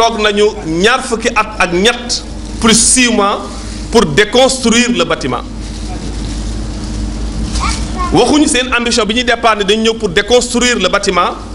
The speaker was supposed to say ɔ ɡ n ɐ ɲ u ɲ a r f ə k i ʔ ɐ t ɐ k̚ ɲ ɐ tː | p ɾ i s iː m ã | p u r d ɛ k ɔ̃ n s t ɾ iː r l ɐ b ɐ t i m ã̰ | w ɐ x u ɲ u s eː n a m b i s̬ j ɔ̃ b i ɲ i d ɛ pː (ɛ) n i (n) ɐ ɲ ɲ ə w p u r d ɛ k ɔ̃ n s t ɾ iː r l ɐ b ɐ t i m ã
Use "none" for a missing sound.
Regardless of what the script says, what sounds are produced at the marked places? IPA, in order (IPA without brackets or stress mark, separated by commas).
a, d